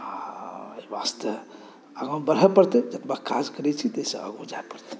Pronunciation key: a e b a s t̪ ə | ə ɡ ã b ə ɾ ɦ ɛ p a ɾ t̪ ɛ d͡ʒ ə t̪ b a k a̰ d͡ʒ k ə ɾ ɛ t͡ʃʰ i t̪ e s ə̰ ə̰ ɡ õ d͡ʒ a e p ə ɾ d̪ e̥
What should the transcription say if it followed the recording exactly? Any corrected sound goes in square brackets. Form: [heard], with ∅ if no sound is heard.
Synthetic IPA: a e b a s t̪ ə | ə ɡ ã b ə ɾ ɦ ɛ p [ə] ɾ t̪ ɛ d͡ʒ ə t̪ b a k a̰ d͡ʒ k ə ɾ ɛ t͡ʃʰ i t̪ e s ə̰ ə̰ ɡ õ d͡ʒ a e p ə ɾ [t̪] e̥